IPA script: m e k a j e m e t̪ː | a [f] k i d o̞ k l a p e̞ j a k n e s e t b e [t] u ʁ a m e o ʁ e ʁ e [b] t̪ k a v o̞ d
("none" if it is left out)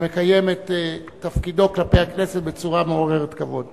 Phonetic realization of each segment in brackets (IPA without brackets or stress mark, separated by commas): f, t͡s, none